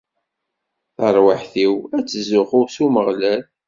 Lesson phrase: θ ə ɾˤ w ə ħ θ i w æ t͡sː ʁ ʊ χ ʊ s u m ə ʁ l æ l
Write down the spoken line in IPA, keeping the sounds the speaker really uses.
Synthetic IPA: θ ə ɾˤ w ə ħ θ i w æ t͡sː z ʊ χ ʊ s u m ə ʁ l æ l